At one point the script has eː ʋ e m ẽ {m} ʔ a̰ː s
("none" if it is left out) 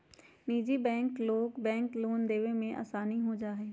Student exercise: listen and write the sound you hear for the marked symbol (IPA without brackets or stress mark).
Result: none